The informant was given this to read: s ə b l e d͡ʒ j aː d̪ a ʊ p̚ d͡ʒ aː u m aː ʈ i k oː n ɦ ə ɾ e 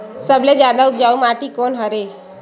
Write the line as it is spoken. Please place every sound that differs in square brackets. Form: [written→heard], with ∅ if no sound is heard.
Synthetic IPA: s ə b l e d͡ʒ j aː d̪ a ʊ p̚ d͡ʒ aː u m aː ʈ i k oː n ɦ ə ɾ e